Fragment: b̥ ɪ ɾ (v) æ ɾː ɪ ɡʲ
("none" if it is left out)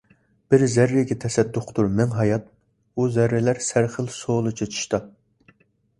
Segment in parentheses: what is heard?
z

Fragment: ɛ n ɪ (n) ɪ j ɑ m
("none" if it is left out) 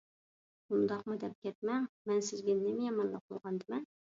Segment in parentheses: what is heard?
m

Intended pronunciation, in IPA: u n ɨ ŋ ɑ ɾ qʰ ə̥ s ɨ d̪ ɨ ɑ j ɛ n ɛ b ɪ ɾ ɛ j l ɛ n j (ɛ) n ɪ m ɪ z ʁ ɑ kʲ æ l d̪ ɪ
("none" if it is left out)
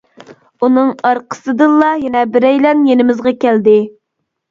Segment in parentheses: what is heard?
e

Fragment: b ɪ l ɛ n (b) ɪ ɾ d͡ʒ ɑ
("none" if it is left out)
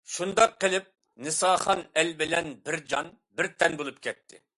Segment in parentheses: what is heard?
b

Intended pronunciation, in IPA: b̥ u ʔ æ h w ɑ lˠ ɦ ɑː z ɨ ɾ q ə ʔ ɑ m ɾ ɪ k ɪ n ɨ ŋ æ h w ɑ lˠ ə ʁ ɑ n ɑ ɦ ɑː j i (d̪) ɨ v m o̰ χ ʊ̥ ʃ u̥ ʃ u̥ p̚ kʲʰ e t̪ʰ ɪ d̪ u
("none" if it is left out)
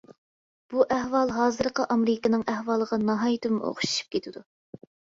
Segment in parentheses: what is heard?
t̪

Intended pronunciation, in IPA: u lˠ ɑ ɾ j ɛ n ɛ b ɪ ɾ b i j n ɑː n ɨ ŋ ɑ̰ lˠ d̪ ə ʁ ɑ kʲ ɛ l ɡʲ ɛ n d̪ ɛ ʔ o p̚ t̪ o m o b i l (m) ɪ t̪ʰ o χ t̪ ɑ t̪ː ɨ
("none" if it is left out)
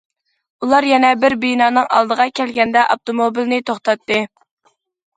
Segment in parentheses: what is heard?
n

